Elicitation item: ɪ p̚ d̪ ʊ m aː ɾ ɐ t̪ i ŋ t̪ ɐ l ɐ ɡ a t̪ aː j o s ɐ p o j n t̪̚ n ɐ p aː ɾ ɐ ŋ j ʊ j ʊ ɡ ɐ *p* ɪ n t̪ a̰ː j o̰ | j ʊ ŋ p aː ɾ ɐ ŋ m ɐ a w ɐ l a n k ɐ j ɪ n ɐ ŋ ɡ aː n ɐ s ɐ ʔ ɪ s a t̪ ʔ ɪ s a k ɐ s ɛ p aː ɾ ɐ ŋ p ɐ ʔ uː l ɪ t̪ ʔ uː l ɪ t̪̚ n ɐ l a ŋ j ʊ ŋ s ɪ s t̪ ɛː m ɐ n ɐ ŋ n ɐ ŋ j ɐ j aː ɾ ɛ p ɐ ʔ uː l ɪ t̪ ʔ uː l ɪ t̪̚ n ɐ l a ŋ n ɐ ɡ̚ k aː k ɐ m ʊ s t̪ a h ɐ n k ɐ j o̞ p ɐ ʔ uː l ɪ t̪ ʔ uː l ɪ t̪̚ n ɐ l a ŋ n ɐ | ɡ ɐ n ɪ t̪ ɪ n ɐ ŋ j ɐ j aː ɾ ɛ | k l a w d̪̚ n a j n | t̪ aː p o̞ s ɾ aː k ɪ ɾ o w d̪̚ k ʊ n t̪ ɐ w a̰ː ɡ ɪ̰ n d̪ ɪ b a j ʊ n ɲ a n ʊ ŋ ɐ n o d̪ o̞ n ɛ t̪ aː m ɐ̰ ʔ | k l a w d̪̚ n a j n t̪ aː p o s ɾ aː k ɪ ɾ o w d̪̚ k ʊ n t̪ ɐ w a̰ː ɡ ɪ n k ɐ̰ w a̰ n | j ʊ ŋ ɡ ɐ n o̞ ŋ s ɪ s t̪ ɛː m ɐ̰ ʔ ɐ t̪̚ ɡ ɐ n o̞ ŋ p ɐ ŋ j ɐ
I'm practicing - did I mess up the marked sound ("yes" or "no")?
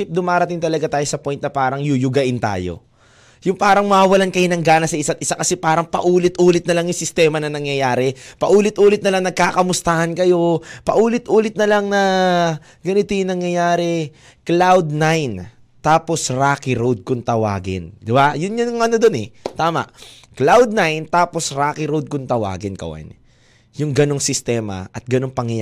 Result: yes